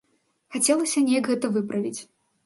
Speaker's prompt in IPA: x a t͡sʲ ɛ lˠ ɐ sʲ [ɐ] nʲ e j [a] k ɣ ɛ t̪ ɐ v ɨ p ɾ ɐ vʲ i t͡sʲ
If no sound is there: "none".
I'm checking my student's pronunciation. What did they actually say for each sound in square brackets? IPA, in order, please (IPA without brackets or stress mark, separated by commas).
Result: ɐ, ɐ